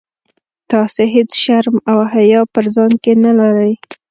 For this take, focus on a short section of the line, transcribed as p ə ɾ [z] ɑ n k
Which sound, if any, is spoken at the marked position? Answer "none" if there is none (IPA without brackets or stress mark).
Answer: z